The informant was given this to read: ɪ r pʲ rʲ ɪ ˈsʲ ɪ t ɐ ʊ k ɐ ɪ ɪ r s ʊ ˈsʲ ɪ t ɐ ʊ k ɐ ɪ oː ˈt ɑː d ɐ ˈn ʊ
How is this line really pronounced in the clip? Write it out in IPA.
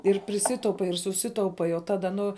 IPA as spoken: ɪ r pʲ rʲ ɪ ˈsʲ ɪ t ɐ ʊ p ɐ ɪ ɪ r s ʊ ˈsʲ ɪ t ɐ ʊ p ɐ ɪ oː ˈt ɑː d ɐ ˈn ʊ